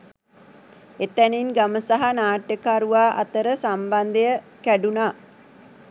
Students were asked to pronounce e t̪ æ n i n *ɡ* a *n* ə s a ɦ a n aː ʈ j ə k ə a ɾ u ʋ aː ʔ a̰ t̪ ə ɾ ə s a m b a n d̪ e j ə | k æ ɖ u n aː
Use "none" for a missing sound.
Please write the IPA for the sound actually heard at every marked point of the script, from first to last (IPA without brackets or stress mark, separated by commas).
ɡ, m